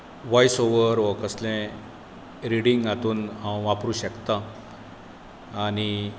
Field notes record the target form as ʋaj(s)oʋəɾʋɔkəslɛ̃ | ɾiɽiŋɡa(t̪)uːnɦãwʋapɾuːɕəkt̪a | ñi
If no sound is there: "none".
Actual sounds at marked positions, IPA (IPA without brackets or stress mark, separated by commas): s, t̪